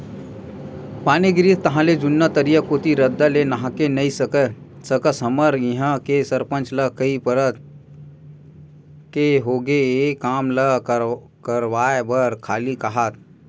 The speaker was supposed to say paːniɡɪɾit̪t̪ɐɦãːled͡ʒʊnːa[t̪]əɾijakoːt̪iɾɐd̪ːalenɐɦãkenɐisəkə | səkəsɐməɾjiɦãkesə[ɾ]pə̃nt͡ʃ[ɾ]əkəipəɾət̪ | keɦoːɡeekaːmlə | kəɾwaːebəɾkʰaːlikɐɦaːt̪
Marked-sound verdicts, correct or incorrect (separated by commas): correct, correct, incorrect